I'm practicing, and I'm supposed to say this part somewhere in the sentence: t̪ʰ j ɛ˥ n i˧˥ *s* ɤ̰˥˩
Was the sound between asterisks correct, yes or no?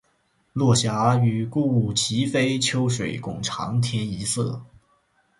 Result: yes